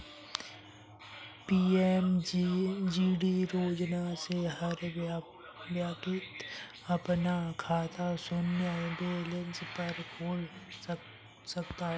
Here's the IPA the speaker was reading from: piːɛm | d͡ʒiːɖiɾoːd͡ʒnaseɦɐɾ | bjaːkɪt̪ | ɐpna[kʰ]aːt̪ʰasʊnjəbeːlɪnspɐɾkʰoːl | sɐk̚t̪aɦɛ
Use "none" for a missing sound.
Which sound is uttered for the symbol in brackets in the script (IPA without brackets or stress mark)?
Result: kʰ